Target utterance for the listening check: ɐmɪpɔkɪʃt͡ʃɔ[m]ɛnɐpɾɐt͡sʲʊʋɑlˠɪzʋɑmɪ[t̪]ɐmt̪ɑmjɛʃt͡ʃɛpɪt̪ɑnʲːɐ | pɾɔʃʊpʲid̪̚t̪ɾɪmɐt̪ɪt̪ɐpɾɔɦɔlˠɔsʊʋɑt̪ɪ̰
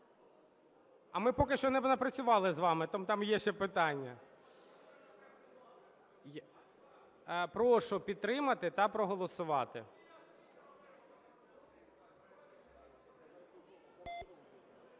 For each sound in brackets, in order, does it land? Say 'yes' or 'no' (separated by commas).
no, yes